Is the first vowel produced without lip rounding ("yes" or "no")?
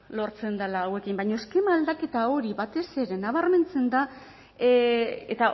no